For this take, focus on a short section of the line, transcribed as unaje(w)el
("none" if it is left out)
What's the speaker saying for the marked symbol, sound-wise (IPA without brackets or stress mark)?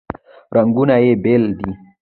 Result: b